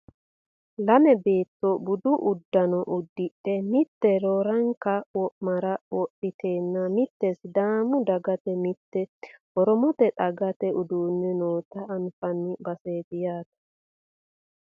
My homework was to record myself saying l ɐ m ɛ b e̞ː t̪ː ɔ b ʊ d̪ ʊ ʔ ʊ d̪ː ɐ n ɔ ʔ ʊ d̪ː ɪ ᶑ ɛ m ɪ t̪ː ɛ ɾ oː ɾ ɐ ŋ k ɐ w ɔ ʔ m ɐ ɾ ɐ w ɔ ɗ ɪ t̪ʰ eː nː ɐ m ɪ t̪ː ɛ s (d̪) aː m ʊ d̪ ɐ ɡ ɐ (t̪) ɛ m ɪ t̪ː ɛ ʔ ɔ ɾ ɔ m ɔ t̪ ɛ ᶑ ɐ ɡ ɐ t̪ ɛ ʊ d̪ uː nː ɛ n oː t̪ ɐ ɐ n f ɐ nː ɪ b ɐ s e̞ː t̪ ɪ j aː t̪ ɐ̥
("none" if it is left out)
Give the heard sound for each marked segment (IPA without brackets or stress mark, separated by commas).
d̪, t̪